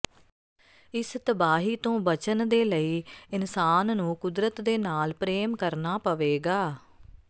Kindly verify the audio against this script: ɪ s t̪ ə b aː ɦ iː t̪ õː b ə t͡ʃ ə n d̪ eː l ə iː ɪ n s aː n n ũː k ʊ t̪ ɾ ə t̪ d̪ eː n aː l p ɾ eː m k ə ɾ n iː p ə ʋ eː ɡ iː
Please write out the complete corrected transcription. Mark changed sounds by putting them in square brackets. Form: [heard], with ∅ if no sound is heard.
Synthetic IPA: ɪ s t̪ ə b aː ɦ iː t̪ õː b ə t͡ʃ ə n d̪ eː l ə iː ɪ n s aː n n ũː k ʊ [d̪] ɾ ə t̪ d̪ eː n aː l p ɾ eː m k ə ɾ n [aː] p ə ʋ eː ɡ [aː]